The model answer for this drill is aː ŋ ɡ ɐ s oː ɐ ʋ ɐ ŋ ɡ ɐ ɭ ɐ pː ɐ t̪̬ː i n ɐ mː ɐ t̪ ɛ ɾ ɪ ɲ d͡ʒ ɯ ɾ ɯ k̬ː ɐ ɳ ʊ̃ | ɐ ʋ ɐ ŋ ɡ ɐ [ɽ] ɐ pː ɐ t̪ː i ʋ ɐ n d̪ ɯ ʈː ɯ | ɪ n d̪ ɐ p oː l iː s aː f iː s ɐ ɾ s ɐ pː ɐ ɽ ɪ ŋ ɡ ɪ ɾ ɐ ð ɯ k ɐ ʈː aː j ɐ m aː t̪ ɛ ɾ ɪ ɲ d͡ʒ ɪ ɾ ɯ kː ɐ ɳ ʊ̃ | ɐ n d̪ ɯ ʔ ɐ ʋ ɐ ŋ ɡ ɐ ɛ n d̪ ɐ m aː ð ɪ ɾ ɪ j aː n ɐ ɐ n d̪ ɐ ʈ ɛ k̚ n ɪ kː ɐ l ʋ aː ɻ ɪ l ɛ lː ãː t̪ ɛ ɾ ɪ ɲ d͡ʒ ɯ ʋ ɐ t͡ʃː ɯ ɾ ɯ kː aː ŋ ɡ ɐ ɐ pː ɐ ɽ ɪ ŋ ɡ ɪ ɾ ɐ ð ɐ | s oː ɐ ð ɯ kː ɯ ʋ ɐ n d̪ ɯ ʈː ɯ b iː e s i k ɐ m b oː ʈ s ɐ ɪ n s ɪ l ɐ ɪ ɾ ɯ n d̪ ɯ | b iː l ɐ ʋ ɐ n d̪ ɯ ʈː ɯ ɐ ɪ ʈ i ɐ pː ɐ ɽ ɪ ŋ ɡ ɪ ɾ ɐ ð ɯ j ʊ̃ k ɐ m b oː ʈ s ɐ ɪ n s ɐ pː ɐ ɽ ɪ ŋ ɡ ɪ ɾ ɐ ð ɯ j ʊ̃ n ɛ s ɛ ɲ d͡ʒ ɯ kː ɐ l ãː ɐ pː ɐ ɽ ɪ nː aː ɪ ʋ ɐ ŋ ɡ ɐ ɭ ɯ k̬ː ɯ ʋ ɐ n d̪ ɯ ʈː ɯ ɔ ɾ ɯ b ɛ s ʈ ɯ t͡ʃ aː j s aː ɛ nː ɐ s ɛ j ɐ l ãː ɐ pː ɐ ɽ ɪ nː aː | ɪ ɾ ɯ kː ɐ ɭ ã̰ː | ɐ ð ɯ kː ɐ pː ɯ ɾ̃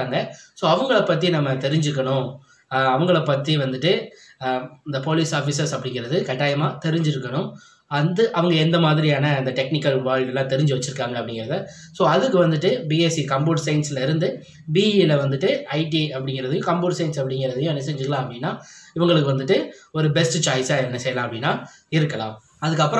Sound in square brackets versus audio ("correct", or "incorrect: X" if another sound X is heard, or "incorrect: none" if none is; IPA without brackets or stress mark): incorrect: ɭ